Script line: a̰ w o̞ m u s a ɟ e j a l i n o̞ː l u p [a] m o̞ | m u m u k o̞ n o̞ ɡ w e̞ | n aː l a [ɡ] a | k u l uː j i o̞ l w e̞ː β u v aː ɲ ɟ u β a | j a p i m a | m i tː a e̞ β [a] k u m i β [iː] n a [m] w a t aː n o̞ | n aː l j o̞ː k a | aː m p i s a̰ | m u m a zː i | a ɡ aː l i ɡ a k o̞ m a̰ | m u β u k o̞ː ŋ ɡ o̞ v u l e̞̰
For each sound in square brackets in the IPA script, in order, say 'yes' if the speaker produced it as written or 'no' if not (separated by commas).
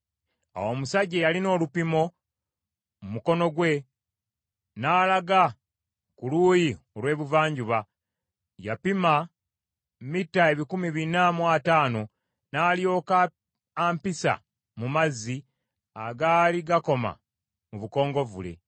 no, yes, no, no, yes